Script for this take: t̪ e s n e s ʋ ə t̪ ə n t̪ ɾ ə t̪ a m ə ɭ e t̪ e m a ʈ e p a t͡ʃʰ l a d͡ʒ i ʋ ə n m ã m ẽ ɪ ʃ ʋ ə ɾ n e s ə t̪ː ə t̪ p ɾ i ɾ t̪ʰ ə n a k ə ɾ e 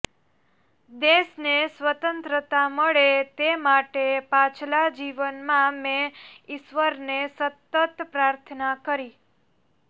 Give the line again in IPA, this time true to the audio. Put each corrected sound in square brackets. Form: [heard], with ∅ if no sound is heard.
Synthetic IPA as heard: [d̪] e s n e s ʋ ə t̪ ə n t̪ ɾ ə t̪ a m ə ɭ e t̪ e m a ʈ e p a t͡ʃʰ l a d͡ʒ i ʋ ə n m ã m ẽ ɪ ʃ ʋ ə ɾ n e s ə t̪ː ə t̪ p ɾ [a] ɾ t̪ʰ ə n a k ə ɾ [i]